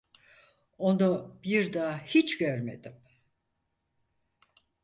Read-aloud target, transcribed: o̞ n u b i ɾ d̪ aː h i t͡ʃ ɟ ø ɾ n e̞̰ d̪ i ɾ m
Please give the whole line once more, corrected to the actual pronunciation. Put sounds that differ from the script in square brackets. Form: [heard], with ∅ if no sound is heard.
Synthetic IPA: o̞ n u b i ɾ d̪ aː h i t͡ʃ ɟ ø ɾ [m] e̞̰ d̪ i [∅] m